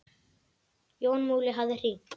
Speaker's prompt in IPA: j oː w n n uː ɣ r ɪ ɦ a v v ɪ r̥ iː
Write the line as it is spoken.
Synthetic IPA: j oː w n m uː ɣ l ɪ ɦ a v ð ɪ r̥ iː